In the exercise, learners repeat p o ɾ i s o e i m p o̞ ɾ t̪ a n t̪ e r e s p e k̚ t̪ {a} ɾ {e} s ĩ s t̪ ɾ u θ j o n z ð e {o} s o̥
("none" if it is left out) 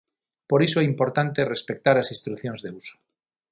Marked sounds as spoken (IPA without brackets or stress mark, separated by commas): a, a, u